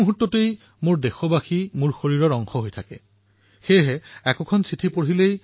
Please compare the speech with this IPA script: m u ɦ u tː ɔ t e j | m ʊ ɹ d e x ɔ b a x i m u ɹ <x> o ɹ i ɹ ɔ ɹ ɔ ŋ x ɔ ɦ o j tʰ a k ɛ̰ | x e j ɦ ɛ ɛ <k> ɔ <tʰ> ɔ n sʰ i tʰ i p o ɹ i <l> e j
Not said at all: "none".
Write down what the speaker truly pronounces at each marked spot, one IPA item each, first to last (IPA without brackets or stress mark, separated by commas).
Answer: x, k, kʰ, l